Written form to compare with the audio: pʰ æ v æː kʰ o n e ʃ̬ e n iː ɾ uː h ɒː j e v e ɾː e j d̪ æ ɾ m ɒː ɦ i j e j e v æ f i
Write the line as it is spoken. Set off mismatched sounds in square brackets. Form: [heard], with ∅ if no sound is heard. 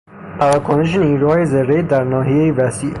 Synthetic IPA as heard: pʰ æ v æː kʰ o n e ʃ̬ e n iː ɾ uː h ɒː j e [z] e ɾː e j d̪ æ ɾ [n] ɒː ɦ i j e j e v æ [s] i